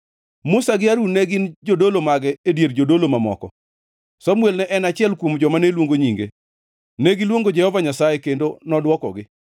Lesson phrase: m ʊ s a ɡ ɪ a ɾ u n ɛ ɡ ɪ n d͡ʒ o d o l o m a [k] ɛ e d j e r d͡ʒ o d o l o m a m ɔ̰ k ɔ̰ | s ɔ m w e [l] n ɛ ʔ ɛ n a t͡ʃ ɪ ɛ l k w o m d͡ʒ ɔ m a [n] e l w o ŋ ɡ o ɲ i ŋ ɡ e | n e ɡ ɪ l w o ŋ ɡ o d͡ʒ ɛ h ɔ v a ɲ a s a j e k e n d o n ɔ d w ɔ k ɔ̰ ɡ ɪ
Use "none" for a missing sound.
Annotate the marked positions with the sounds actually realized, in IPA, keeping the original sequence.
ɡ, l, n

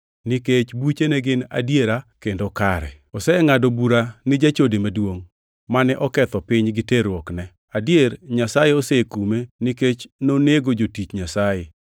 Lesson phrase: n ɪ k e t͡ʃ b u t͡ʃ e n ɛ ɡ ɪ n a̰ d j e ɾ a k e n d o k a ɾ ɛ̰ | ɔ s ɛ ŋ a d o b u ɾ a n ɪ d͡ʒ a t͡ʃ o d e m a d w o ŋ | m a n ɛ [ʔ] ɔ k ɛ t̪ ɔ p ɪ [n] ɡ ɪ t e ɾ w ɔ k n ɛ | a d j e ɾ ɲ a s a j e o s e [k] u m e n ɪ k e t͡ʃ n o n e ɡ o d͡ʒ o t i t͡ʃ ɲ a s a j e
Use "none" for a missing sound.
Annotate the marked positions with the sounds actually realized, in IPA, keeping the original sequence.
ʔ, ɲ, k

